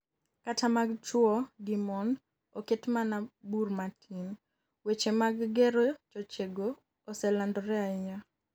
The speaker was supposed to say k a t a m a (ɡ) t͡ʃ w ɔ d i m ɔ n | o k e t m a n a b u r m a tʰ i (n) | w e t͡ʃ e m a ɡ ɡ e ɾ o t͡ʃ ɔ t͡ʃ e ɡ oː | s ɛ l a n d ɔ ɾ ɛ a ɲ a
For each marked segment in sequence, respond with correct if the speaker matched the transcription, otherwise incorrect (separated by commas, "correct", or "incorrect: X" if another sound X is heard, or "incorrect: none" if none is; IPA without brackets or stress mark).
correct, correct